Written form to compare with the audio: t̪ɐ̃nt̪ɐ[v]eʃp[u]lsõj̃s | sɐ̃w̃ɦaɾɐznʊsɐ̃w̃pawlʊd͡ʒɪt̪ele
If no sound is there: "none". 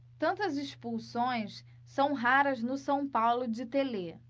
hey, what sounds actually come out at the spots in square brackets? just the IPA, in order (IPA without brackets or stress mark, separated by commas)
z, u